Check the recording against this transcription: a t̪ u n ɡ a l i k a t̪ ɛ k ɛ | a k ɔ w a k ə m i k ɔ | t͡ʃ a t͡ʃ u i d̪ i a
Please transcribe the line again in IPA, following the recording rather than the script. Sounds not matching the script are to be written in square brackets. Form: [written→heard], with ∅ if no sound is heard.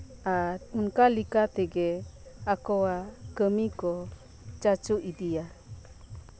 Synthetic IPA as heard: a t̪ u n [ɡ→k] a l i k a t̪ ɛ [k→ɡ] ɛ | a k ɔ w a k ə m i k ɔ | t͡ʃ a t͡ʃ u i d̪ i a